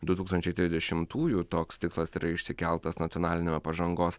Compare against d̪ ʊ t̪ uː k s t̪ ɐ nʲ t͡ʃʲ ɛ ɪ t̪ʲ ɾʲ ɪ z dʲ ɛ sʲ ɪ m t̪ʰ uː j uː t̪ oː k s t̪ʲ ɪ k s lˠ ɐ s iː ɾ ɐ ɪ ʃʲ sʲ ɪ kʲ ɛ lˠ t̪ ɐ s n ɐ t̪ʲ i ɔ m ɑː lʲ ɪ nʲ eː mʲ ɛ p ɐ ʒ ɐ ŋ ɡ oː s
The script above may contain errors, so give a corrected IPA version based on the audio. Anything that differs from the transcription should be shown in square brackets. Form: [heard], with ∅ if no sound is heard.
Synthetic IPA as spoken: d̪ ʊ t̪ uː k s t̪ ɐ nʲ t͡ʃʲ ɛ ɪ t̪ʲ ɾʲ ɪ z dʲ ɛ [ʃʲ] ɪ m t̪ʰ uː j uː t̪ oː k s t̪ʲ ɪ k s lˠ ɐ s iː ɾ ɐ ɪ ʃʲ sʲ ɪ kʲ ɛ lˠ t̪ ɐ s n ɐ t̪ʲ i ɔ [n] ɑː lʲ ɪ nʲ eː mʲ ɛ p ɐ ʒ ɐ ŋ ɡ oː s